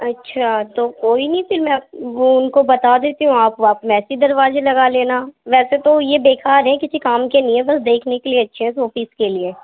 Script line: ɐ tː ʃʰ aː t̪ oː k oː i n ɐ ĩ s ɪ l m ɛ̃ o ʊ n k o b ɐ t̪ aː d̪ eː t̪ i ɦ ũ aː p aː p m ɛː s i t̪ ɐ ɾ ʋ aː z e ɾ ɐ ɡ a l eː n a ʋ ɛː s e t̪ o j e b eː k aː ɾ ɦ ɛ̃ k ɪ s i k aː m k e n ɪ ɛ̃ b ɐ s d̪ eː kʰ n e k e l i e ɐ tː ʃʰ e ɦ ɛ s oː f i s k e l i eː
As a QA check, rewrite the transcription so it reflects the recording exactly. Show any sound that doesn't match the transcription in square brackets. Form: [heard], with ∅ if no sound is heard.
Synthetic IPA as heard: ɐ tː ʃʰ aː t̪ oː k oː i n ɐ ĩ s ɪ l m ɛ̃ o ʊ n k o b ɐ t̪ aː d̪ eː t̪ i ɦ ũ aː p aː p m ɛː s i [d̪] ɐ ɾ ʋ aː z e [l] ɐ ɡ a l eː n a ʋ ɛː s e t̪ o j e b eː k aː ɾ ɦ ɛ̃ k ɪ s i k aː m k e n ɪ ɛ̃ b ɐ s d̪ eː kʰ n e k e l i e ɐ tː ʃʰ e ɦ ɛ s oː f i s k e l i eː